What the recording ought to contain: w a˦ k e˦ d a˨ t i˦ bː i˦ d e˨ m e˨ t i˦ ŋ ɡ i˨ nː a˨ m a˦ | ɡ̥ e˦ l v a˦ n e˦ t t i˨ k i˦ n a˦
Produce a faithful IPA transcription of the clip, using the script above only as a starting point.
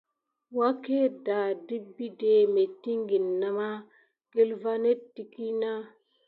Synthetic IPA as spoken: w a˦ k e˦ d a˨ d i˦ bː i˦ d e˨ m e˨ t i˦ ŋ ɡ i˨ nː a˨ m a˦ | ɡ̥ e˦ l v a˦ n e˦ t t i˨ k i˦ n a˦